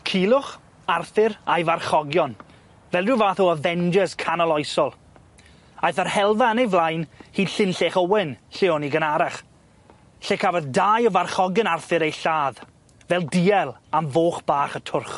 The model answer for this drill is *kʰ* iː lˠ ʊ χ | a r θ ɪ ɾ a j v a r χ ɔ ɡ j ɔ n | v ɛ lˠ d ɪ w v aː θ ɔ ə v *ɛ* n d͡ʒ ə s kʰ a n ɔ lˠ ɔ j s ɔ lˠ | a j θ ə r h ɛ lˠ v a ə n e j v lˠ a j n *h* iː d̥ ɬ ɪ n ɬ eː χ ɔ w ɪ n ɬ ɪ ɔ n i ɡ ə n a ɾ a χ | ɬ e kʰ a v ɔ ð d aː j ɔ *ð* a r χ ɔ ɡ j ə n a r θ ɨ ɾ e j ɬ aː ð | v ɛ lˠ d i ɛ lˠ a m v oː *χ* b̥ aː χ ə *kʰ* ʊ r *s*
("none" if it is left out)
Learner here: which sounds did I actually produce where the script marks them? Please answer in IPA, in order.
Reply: kʰ, ɛ, h, v, χ, tʰ, χ

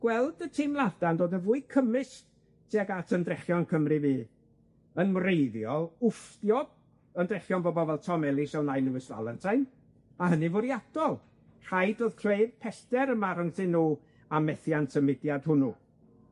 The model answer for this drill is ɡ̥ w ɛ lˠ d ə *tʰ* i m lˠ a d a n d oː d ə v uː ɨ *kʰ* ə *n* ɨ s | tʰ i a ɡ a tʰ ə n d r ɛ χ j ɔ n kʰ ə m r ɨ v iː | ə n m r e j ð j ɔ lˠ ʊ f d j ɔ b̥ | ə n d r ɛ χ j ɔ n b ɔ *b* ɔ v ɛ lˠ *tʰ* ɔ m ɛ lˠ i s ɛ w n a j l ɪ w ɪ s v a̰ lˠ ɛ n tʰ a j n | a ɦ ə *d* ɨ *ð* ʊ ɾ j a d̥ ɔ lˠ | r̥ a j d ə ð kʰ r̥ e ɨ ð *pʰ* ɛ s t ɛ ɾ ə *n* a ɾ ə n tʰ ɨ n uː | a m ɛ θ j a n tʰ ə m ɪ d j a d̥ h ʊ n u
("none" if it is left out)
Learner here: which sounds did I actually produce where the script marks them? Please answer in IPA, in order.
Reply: tʰ, kʰ, m, b, tʰ, n, v, pʰ, m

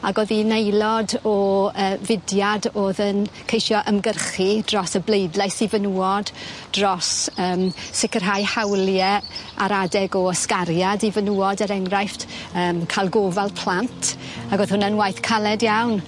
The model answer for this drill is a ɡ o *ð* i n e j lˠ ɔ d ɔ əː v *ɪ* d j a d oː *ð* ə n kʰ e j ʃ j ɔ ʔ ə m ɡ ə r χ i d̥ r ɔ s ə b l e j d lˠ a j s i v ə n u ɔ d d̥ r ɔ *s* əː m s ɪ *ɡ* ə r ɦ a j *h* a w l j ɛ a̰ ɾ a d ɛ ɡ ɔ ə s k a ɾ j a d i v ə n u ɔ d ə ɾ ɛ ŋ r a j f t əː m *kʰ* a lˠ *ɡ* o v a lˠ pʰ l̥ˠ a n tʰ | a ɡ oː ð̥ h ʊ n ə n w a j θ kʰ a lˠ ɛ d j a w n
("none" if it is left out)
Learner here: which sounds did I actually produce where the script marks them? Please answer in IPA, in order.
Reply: ð, ɪ, ð, s, k, h, kʰ, ɡ

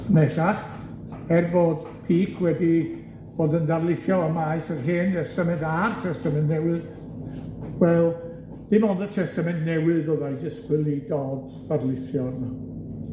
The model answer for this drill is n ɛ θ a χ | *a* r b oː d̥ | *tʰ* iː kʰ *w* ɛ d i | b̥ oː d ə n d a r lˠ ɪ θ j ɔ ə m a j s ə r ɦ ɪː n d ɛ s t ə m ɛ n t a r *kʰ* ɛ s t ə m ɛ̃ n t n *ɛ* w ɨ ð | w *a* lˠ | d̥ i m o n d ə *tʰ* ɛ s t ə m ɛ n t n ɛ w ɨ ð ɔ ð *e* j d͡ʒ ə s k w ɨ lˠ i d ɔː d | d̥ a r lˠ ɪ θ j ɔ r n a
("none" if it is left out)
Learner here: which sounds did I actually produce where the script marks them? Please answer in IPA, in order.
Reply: ɛ, pʰ, w, tʰ, ɛ, ɛ, tʰ, a

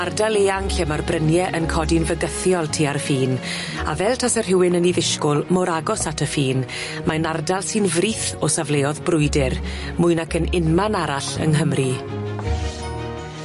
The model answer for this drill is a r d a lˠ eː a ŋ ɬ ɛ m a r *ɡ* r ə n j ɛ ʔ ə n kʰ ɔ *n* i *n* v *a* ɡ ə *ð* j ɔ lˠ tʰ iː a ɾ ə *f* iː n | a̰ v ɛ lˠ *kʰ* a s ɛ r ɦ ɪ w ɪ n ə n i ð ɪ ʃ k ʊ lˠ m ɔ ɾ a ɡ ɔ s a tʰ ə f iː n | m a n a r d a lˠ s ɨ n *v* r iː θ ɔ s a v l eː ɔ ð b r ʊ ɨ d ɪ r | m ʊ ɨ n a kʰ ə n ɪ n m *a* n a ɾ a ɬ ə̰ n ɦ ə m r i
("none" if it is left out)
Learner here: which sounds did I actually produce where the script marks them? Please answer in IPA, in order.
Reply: b, d, n, ə, θ, f, tʰ, v, a

